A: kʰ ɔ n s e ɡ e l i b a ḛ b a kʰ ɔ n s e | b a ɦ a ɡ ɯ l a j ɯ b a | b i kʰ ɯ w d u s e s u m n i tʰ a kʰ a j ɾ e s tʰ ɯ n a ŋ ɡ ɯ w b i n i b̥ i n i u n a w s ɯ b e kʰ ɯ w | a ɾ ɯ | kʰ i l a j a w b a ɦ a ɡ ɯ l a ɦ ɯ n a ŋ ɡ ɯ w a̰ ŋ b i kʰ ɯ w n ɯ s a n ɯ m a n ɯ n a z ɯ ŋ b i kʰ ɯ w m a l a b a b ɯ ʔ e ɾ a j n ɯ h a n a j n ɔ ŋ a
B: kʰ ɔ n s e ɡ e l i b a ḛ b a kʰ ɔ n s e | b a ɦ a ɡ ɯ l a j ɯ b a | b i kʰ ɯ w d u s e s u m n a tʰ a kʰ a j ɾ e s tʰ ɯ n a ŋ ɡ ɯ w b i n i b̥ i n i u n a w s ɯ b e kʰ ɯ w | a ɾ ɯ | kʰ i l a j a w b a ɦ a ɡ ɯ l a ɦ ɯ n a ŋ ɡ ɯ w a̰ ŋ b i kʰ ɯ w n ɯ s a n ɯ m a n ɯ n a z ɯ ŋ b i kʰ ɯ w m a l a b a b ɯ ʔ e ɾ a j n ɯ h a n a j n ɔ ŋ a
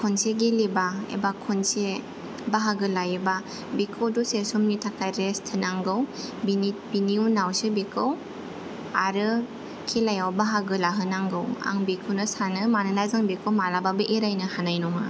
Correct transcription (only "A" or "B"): A